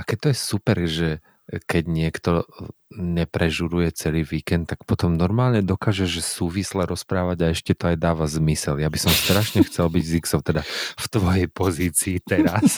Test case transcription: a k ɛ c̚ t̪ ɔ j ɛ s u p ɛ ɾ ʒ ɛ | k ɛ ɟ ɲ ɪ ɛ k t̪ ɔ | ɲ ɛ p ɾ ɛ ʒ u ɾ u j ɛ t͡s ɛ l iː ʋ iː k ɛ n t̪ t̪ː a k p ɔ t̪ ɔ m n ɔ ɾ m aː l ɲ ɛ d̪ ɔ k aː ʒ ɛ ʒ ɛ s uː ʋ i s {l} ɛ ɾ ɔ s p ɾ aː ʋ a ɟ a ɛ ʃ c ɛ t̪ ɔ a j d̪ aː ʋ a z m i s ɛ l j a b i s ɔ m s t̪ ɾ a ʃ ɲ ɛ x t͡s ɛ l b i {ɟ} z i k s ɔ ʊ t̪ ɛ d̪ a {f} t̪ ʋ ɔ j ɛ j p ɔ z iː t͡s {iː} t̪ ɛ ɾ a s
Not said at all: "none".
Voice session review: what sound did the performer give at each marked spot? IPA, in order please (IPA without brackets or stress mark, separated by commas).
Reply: l, ɟ, f, iː